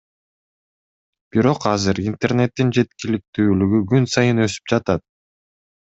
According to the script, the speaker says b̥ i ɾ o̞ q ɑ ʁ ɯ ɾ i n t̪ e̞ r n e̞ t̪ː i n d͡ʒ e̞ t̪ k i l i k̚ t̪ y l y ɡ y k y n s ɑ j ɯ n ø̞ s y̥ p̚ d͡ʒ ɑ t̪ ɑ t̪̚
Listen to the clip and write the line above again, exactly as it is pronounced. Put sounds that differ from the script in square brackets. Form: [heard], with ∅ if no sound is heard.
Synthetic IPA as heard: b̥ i ɾ o̞ q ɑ [z] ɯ ɾ i n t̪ e̞ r n e̞ t̪ː i n d͡ʒ e̞ t̪ k i l i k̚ t̪ [yː] l y ɡ y [ɡ] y n s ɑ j ɯ n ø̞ s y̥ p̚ d͡ʒ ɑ t̪ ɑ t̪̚